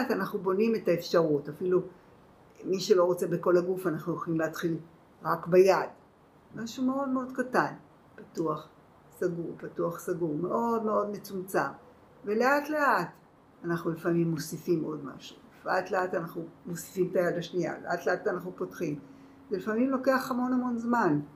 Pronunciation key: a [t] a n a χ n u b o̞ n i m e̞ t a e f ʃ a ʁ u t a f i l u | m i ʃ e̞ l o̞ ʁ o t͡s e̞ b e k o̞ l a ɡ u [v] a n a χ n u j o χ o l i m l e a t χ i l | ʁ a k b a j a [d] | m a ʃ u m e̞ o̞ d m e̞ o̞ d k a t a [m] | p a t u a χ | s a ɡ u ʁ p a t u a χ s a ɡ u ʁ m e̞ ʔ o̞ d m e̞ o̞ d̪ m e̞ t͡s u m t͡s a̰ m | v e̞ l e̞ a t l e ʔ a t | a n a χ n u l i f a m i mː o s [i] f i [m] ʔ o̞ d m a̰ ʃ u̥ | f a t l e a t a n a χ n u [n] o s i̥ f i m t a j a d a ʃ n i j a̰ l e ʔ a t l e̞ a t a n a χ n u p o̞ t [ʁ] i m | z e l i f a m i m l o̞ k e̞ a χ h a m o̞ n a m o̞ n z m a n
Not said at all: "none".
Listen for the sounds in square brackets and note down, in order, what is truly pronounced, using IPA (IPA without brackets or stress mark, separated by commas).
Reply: t, f, d, n, i, m, m, χ